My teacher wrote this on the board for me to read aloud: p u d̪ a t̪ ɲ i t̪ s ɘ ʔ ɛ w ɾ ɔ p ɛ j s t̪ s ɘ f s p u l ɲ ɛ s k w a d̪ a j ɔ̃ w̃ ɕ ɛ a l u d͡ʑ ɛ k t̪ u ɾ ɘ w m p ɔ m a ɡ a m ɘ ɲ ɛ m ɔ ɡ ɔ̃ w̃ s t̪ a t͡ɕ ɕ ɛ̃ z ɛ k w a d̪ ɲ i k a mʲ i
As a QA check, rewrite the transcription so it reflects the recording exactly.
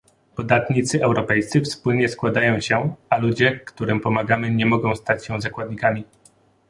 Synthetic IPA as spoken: p ɔ d̪ a t̪ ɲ i t̪ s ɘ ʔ ɛ w ɾ ɔ p ɛ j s t̪ s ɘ f s p u l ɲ ɛ s k w a d̪ a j ɔ̃ w̃ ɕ ɛ a l u d͡ʑ ɛ k t̪ u ɾ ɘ m p ɔ m a ɡ a m ɘ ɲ ɛ m ɔ ɡ ɔ̃ w̃ s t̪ a t͡ɕ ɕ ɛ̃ z a k w a d̪ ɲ i k a mʲ i